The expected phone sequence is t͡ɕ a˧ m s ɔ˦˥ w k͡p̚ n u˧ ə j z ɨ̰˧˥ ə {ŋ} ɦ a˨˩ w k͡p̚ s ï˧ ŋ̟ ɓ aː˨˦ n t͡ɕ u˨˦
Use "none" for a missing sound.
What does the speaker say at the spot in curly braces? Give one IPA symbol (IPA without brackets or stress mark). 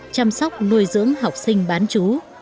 ŋ